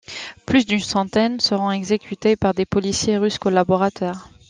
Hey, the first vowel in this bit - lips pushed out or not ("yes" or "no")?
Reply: yes